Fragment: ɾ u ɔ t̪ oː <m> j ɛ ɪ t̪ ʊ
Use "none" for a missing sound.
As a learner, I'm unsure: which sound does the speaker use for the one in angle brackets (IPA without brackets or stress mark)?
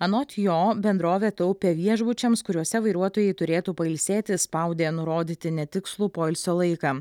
none